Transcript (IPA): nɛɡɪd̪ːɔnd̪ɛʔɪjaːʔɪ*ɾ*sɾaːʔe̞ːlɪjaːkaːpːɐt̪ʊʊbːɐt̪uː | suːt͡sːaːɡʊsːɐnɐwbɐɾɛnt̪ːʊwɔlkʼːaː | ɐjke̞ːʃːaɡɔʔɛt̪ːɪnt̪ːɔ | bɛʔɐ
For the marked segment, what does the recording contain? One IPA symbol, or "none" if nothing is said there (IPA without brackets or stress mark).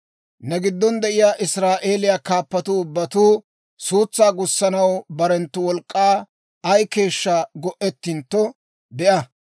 none